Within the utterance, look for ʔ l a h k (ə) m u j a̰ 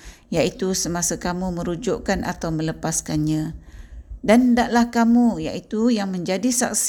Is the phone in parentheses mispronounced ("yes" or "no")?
yes